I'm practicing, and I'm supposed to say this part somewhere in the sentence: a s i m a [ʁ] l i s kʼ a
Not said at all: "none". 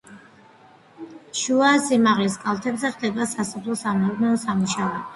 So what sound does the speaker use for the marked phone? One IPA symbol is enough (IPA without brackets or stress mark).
ʁ